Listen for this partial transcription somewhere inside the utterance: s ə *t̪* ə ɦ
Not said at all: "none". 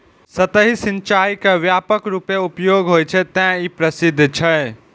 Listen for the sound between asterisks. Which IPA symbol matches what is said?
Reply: t̪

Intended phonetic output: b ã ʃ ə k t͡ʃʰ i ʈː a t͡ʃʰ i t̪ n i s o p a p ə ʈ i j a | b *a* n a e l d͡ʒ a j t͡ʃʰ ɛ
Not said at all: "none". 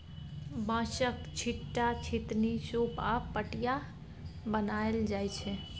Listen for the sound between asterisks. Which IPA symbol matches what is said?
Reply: ə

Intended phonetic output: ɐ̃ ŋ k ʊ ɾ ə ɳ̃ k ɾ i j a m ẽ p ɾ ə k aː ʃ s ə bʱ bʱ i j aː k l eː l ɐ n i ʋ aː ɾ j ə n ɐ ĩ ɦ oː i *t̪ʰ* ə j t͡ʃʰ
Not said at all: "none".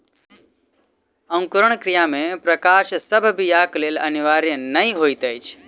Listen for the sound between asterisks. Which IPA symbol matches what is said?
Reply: t̪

